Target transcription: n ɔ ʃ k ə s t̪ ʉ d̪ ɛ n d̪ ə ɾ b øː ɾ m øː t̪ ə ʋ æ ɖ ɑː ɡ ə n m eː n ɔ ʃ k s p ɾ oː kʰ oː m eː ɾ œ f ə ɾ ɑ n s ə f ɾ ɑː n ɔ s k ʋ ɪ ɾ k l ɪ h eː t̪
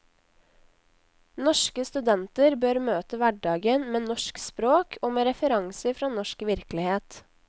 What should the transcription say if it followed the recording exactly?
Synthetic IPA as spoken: n ɔ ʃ k ə s t̪ ʉ d̪ ɛ n t̪ ə ɾ b øː ɾ m øː t̪ ə ʋ æ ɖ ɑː ɡ ə n m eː n ɔ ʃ k s p ɾ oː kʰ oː m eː ɾ ɛ f ə ɾ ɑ ŋ s ə f ɾ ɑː n ɔ ʃ k ʋ ɪ ɾ k l ɪ h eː t̪